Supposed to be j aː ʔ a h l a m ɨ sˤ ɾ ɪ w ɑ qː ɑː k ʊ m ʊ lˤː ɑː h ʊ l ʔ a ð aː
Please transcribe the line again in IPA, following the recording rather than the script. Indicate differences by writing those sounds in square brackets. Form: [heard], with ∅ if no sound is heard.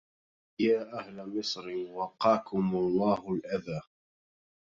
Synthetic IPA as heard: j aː ʔ a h l a m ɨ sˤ ɾ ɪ w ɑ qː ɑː k ʊ m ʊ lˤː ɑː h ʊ l ʔ a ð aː